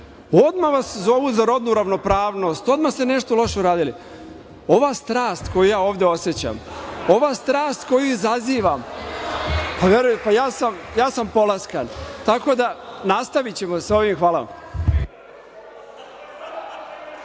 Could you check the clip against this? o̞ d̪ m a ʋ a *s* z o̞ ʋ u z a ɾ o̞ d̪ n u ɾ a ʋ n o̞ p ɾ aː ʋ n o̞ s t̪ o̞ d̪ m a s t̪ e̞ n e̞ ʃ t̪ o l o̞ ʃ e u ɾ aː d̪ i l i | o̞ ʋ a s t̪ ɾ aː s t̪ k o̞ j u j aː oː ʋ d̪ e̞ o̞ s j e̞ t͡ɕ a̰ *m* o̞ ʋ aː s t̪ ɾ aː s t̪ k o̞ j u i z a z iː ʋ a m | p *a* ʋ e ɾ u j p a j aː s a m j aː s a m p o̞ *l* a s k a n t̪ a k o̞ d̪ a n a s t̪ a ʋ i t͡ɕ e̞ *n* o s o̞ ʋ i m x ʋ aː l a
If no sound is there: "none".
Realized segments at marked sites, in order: s, m, a, l, m

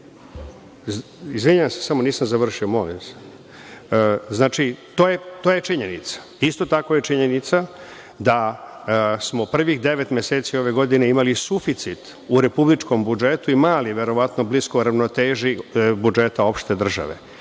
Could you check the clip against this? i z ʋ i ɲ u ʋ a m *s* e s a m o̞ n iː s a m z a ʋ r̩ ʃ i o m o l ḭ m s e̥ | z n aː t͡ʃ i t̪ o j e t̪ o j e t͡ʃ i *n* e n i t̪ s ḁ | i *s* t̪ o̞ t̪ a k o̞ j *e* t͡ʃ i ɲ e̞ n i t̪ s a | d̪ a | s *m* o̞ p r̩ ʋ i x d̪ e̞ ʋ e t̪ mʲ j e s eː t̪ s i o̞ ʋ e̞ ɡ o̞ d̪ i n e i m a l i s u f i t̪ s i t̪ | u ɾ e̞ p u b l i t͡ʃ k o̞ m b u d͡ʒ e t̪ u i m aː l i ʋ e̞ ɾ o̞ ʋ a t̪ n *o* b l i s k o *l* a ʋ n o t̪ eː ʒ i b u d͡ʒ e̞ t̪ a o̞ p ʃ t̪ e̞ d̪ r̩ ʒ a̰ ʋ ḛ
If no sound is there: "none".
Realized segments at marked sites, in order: s, ɲ, s, e, m, o, ɾ

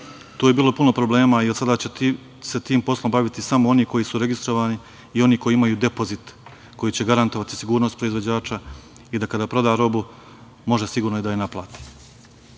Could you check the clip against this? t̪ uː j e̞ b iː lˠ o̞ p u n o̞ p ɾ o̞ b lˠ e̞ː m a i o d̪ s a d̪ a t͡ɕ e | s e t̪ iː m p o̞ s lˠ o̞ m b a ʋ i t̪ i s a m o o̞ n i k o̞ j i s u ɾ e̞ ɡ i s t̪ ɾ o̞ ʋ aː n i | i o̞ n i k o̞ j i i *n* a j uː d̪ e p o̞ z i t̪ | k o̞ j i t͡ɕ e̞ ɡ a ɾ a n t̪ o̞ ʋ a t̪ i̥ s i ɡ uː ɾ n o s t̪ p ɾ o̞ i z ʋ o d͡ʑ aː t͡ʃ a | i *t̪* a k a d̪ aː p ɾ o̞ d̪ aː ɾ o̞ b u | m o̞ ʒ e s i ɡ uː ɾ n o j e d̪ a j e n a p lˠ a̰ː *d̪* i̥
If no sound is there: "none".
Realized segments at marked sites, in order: m, d̪, t̪

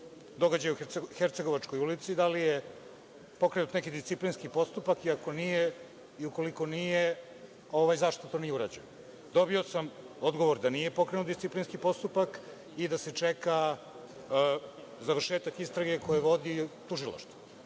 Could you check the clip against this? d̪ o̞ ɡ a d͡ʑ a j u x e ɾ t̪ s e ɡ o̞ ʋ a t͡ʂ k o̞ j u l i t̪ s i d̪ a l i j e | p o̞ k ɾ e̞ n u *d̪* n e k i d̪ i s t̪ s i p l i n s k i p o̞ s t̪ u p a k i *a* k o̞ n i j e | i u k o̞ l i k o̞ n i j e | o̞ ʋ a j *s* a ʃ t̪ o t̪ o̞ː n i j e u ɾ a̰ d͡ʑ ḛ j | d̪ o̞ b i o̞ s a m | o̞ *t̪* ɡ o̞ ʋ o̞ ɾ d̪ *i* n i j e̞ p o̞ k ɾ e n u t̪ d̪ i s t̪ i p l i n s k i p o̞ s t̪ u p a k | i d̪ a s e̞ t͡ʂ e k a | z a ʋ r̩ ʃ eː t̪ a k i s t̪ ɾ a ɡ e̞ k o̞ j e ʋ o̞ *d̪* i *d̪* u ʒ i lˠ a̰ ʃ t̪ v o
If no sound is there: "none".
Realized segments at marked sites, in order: t̪, a, z, d̪, a, d̪, t̪

